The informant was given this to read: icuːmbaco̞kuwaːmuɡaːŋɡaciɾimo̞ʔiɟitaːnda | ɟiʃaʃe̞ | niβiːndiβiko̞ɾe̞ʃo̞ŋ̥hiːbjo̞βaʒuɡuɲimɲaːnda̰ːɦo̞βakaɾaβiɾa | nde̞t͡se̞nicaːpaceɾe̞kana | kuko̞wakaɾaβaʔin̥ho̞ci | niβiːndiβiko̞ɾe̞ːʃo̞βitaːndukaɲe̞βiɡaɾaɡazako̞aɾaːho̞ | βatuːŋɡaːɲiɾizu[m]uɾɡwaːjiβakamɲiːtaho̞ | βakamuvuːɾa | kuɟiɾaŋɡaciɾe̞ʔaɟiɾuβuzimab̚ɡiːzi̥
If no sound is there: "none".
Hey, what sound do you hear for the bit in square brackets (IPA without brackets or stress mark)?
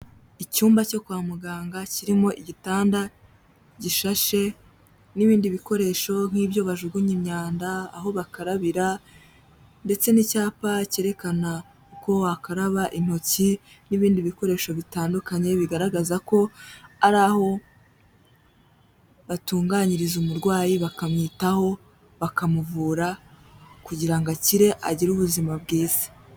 m